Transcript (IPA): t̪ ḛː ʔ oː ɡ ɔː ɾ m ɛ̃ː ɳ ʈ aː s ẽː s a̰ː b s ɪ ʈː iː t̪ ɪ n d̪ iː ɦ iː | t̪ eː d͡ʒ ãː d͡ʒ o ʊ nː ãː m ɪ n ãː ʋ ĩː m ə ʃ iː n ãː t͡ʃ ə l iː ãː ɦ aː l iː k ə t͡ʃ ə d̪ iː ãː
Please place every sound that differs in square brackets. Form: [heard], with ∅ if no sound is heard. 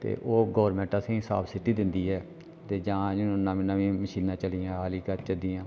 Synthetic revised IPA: t̪ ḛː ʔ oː ɡ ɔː ɾ m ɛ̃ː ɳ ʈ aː s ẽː s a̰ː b s ɪ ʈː iː [d̪] ɪ n d̪ iː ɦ [ɛː] | t̪ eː d͡ʒ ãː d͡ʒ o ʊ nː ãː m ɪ n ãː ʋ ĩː m ə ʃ iː n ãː t͡ʃ ə l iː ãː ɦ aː l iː k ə t͡ʃ ə d̪ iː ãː